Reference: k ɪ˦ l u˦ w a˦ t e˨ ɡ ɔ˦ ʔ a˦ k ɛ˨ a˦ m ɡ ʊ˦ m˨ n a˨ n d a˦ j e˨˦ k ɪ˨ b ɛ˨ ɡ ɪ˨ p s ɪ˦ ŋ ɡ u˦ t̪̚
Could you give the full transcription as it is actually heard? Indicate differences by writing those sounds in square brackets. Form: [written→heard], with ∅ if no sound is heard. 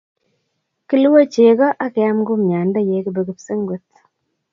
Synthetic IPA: k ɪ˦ l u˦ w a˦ [t→t͡ʃ] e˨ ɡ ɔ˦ ʔ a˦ k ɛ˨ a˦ m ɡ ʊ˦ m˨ [n→ɲ] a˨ n d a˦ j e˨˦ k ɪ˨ b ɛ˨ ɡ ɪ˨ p s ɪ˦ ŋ ɡ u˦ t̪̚